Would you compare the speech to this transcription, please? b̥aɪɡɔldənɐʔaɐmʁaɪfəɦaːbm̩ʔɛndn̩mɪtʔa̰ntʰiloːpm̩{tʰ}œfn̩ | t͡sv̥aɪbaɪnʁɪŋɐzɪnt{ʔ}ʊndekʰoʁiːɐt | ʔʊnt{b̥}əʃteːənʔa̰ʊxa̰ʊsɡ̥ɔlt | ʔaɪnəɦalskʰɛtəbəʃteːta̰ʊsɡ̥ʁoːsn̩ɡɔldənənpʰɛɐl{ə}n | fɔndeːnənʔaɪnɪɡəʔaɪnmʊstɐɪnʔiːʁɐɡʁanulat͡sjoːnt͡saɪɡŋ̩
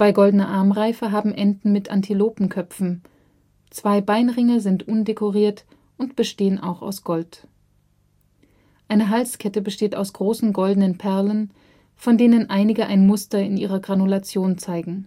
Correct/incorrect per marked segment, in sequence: incorrect: kʰ, correct, correct, correct

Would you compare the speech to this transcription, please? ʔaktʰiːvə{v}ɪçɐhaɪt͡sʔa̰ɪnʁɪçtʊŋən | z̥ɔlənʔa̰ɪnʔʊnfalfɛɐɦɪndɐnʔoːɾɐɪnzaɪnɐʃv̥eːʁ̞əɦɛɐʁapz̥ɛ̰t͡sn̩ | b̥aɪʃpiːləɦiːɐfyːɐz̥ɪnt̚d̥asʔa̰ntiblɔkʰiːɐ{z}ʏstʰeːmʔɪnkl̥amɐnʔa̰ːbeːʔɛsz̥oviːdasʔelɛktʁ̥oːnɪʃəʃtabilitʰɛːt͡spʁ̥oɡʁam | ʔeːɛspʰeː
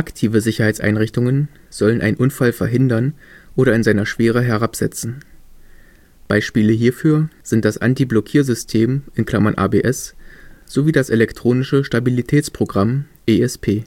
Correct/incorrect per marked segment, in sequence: incorrect: z, correct

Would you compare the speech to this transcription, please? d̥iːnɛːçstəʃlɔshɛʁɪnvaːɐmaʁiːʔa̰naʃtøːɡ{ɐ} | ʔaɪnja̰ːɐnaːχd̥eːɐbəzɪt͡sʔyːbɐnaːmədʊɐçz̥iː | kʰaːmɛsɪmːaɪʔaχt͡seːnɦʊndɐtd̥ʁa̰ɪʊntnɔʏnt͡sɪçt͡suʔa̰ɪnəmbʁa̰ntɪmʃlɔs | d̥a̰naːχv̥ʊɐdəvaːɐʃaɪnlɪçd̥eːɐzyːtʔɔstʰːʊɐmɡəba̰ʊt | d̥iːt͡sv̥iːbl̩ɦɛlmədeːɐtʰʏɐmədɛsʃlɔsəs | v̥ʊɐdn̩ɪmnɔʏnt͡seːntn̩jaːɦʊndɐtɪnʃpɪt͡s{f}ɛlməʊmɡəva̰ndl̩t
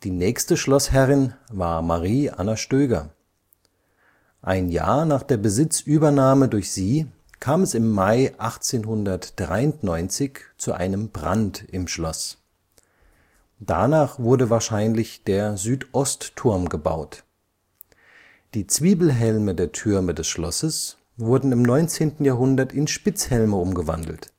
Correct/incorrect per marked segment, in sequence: correct, incorrect: h

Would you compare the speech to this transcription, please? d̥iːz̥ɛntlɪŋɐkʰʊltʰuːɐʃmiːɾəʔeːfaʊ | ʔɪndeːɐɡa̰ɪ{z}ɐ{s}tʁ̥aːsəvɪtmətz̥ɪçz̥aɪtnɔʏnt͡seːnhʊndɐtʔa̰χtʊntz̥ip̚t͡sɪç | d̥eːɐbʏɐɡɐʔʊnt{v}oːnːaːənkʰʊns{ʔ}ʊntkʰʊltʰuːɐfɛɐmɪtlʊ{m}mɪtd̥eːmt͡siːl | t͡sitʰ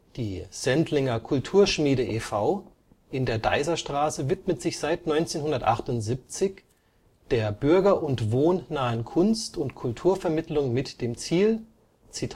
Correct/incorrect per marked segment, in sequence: correct, incorrect: ʃ, correct, incorrect: t, incorrect: ŋ

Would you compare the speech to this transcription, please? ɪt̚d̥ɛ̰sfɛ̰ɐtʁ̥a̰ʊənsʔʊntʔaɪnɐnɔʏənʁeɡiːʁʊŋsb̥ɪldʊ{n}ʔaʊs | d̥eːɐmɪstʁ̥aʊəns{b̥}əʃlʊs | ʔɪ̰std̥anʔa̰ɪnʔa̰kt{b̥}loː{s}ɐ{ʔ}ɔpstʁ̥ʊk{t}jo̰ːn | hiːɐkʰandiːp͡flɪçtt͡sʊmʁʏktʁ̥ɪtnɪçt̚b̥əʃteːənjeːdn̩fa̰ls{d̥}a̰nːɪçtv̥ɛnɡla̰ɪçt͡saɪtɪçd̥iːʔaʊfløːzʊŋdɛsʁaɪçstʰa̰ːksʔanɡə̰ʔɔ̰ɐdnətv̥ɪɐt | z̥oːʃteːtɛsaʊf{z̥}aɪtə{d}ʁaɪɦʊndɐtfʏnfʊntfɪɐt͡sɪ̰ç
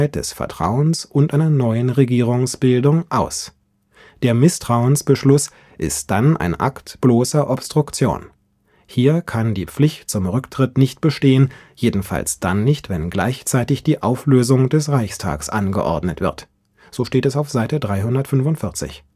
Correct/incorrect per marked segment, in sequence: incorrect: ŋ, correct, correct, correct, correct, incorrect: t͡s, correct, correct, correct

